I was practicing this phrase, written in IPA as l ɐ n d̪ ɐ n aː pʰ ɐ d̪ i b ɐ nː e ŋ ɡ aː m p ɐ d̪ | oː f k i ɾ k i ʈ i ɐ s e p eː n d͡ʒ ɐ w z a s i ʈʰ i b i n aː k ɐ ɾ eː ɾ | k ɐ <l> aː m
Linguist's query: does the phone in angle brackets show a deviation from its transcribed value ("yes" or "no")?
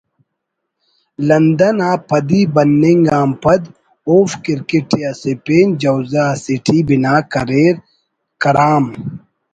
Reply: yes